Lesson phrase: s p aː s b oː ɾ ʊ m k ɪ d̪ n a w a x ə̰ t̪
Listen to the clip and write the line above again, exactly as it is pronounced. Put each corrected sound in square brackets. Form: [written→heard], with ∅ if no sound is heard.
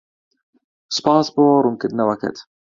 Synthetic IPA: s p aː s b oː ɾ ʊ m k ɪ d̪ n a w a [x→k] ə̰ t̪